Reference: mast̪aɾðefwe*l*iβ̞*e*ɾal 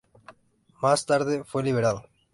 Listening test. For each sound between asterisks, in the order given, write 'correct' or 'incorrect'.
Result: correct, correct

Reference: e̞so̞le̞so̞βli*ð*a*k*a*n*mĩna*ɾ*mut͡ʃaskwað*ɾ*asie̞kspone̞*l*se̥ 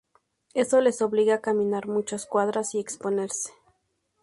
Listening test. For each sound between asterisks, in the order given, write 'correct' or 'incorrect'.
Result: incorrect: ɣ, correct, incorrect: none, correct, correct, incorrect: ɾ

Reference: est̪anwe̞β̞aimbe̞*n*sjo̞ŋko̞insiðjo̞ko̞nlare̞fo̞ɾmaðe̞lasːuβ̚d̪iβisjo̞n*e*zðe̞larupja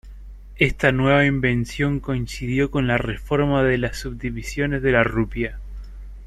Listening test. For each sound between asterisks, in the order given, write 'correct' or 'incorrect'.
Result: correct, correct

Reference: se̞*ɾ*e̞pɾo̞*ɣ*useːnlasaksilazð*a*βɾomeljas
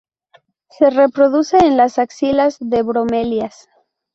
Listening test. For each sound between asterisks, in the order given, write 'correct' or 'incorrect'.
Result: incorrect: r, incorrect: ð, incorrect: e

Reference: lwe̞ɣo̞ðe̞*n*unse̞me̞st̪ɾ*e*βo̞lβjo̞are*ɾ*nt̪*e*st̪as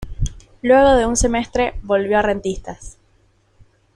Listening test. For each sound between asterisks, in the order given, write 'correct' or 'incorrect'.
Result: incorrect: none, correct, incorrect: none, incorrect: i

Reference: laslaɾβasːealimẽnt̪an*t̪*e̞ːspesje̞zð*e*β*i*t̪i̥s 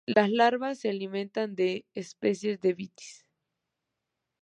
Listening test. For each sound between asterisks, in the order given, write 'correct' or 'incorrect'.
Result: incorrect: d̪, correct, correct

